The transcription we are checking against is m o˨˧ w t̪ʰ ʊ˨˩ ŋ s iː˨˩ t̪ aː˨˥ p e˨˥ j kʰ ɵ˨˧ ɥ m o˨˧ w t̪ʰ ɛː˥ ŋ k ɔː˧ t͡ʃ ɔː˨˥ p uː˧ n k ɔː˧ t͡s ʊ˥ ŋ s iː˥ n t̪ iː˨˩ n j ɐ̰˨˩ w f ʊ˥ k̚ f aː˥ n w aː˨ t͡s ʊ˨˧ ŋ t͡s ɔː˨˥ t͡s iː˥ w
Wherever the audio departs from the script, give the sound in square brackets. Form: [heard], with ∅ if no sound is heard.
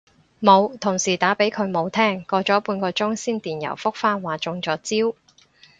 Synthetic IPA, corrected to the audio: m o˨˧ w t̪ʰ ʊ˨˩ ŋ s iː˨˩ t̪ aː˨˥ p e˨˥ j kʰ ɵ˨˧ ɥ m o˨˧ w t̪ʰ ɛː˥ ŋ k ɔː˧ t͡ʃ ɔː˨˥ p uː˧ n k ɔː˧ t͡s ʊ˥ ŋ s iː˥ n t̪ iː˨˩ n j ɐ̰˨˩ w f ʊ˥ k̚ f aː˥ n w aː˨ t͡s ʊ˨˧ ŋ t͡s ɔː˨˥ t͡s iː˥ w